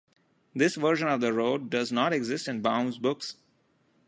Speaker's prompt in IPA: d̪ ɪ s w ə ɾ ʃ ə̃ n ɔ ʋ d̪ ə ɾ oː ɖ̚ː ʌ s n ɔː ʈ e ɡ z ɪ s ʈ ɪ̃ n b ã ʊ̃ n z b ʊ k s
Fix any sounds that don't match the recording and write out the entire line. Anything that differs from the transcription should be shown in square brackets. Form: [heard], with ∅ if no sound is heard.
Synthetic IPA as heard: d̪ ɪ s [ʋ] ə ɾ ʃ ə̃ n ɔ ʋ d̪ ə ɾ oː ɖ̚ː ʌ [z] n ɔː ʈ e ɡ z ɪ s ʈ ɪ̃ n b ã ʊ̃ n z b ʊ k s